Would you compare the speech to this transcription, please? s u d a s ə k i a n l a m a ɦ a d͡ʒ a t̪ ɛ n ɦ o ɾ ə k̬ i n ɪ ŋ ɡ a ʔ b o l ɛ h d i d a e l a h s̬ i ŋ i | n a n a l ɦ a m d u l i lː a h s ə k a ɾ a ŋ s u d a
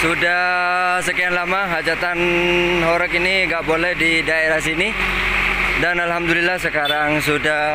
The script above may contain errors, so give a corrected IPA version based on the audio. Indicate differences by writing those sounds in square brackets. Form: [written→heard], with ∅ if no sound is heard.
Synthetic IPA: s u d a s ə k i a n l a m a ɦ a d͡ʒ a t̪ [ɛ→a] n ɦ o ɾ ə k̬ i n [ɪ→i] ŋ ɡ a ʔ b o l ɛ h d i d a e [l→ɾ] a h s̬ i [ŋ→n] i | [n→d] a n a l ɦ a m d u l i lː a h s ə k a ɾ a ŋ s u d a